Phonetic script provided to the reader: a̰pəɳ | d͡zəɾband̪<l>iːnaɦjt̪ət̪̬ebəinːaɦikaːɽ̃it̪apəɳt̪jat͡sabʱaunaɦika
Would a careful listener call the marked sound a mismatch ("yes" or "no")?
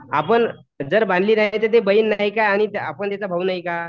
no